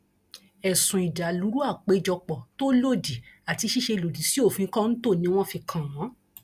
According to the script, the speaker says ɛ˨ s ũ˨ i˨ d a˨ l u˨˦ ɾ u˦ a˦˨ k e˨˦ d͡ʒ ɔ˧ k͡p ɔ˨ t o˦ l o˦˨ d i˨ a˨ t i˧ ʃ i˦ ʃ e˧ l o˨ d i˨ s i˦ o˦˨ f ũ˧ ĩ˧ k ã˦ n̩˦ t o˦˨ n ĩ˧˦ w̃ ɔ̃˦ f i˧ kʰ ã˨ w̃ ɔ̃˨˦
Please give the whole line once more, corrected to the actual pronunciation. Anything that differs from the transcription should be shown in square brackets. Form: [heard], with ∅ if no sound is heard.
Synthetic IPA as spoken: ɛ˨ s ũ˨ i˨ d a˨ l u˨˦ ɾ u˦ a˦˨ [k͡p] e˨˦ d͡ʒ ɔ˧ k͡p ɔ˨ t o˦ l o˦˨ d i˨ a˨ t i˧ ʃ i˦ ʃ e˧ l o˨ d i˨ s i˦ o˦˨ f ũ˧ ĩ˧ k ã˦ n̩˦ t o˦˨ n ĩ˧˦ w̃ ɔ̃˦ f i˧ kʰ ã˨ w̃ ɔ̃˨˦

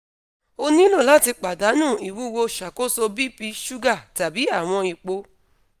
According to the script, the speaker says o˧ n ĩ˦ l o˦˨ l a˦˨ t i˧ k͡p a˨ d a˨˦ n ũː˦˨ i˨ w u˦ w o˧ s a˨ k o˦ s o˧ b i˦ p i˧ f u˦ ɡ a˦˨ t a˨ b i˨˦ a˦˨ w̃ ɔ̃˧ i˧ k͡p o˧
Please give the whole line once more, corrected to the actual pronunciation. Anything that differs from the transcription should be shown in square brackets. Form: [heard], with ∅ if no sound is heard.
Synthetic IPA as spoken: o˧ n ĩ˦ l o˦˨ l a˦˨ t i˧ k͡p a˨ d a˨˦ n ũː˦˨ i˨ w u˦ w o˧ [ʃ] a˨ k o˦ s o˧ b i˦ p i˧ [ʃ] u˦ ɡ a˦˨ t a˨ b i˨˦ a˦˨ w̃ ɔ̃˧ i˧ k͡p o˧

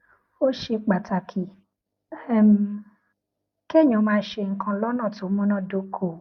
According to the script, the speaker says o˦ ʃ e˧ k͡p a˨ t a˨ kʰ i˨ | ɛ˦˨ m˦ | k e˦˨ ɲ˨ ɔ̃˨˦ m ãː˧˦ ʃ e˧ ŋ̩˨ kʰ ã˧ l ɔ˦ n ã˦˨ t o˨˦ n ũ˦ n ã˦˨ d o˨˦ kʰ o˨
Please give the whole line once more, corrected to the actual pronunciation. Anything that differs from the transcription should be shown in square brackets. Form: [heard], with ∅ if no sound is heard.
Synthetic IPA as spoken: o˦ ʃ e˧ k͡p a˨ t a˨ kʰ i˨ | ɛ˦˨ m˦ | k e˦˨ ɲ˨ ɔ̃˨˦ m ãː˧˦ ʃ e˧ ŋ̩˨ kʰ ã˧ l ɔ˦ n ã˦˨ t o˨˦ [m] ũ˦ n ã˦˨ d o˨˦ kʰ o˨

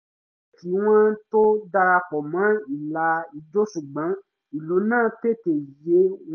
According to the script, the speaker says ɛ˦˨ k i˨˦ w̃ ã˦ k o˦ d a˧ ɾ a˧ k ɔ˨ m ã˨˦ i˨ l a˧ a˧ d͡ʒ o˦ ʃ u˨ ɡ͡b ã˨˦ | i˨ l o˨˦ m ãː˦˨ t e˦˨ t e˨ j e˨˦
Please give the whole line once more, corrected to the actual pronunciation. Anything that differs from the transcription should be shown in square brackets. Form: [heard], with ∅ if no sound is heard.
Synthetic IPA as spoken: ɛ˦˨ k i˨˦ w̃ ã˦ [t] o˦ d a˧ ɾ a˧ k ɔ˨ m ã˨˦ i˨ l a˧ [i˧] d͡ʒ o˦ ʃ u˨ ɡ͡b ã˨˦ | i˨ l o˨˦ [n] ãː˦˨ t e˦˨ t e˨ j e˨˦

